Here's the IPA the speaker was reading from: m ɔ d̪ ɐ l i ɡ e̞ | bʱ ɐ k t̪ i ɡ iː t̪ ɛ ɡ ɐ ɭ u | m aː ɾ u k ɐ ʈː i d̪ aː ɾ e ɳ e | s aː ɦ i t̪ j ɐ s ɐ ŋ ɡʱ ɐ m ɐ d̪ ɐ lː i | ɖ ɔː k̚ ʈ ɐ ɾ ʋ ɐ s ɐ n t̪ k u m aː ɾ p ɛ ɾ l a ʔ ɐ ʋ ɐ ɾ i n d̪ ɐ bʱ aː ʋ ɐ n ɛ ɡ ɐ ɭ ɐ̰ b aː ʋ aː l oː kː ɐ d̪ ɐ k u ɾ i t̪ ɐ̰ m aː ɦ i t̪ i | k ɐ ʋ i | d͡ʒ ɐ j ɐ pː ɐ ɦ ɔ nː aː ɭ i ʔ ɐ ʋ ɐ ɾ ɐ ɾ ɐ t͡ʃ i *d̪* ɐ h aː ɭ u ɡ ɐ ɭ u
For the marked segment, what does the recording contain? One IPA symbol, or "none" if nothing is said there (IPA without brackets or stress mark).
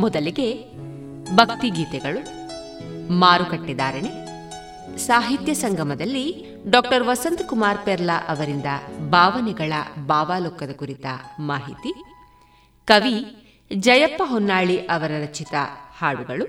t̪